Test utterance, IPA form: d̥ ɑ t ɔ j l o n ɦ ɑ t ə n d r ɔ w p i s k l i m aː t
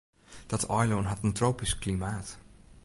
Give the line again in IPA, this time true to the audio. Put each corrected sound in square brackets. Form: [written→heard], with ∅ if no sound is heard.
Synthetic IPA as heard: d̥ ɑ t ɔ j l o n ɦ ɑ t ə n [d→t] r [ɔ→o] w p i s k l i m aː t